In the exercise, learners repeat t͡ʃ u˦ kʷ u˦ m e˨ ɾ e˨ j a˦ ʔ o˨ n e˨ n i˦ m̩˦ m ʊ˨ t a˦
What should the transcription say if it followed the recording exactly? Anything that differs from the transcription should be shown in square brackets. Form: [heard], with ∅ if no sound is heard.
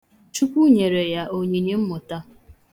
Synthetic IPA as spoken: t͡ʃ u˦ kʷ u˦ [ɲ] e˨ ɾ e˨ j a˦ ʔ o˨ [ɲ] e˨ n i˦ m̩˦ m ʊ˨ t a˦